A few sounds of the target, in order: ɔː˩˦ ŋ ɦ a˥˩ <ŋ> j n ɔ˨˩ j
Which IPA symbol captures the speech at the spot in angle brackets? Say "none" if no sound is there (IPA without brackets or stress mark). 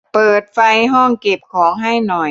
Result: none